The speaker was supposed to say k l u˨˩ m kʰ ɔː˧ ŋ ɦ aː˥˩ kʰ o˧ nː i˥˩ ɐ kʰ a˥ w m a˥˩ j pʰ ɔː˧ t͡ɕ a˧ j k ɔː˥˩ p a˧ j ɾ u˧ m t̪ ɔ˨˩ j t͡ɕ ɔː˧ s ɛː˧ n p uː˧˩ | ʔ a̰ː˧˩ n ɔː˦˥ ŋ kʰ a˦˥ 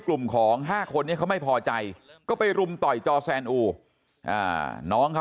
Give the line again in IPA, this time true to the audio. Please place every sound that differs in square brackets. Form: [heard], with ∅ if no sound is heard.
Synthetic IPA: k l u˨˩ m kʰ [ɔː˩˦] ŋ ɦ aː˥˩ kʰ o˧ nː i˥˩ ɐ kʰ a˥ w m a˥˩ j pʰ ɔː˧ t͡ɕ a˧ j k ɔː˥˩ p a˧ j ɾ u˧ m t̪ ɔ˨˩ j t͡ɕ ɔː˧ s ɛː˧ n [ʔ] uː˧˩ | ʔ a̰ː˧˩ n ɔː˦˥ ŋ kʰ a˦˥